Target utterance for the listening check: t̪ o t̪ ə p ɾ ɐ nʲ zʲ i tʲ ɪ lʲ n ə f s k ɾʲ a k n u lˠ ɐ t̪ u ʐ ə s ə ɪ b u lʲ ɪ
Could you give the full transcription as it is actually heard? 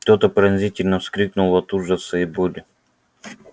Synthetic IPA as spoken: t̪ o t̪ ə p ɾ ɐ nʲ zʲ i tʲ ɪ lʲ n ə f s k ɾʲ i k n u lˠ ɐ t̪ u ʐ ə s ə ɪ b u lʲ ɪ